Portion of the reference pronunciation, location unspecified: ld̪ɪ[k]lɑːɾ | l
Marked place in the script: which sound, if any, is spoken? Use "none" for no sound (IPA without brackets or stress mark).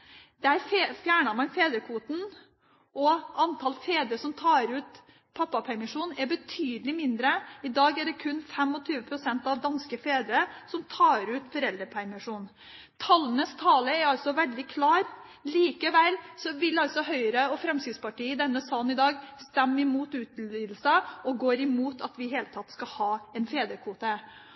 kʰ